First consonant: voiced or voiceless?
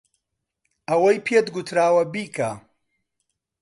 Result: voiced